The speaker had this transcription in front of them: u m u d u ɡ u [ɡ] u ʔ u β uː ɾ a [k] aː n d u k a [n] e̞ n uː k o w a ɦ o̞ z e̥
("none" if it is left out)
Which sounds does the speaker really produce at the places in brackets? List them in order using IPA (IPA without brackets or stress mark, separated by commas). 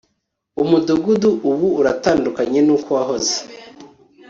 d, t, ɲ